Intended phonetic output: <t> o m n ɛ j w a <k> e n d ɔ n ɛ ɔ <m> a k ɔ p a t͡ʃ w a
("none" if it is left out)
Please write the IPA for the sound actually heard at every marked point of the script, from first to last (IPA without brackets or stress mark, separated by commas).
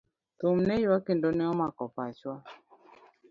t, k, m